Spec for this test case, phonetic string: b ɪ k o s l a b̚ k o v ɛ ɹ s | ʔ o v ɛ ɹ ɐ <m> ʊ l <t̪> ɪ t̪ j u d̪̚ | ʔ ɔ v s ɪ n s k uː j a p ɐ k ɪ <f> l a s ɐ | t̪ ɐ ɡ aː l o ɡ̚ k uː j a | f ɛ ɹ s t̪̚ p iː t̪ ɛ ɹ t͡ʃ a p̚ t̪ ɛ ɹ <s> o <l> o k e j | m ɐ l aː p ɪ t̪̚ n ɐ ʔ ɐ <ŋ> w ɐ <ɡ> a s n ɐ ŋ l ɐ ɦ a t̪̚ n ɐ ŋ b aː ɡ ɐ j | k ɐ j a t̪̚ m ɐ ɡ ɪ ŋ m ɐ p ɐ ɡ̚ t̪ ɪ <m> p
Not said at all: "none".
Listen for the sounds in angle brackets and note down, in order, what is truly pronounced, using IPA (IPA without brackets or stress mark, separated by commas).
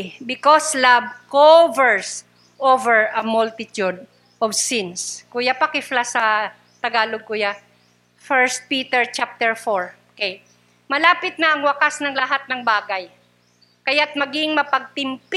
m, t̪, f, f, ɹ, ŋ, k, m